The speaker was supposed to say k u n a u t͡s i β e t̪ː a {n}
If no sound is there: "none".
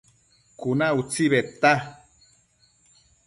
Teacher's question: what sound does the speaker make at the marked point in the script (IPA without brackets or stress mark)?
none